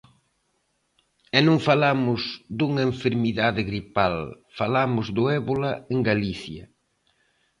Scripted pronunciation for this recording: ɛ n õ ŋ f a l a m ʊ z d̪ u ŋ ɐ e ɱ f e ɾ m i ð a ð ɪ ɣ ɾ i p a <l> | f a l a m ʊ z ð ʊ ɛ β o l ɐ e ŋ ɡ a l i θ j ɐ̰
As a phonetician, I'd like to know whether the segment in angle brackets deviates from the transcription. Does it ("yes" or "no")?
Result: no